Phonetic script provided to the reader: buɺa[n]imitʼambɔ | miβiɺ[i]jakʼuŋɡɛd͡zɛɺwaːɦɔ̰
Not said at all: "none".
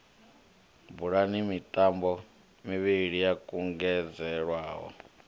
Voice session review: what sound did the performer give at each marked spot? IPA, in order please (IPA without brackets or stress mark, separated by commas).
n, i